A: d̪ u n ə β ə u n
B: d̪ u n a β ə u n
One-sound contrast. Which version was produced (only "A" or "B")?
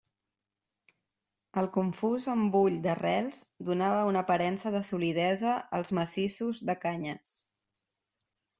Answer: B